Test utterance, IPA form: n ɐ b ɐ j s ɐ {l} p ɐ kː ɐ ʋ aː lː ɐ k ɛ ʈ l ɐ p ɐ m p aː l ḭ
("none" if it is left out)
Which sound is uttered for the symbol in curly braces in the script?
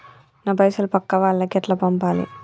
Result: l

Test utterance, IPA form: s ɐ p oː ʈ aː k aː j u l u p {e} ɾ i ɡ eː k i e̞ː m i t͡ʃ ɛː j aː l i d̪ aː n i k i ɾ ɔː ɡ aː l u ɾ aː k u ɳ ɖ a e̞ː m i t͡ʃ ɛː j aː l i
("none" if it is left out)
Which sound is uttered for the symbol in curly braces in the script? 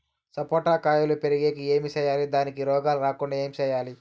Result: e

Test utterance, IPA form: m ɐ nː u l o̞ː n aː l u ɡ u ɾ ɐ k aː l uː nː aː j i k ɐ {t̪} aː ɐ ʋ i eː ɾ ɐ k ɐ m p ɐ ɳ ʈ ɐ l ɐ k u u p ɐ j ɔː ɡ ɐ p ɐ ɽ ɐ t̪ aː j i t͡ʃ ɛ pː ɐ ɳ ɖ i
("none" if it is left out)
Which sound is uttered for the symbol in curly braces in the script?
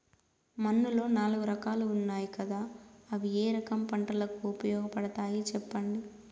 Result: d̪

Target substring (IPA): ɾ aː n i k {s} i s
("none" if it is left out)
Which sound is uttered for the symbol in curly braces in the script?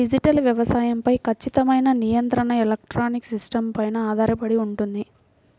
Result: s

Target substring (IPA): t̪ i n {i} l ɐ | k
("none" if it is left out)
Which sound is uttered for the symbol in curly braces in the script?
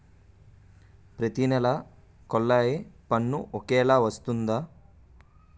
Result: ɛ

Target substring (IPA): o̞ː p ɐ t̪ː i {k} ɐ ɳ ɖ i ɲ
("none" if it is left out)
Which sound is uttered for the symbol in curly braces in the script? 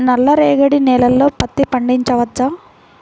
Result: p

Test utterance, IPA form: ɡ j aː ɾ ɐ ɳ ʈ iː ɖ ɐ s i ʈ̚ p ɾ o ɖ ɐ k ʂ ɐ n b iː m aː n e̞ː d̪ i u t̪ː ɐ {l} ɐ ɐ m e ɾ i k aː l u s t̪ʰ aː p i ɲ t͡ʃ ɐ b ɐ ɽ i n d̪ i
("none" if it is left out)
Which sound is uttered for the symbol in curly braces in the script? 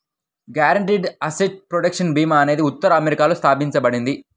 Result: ɾ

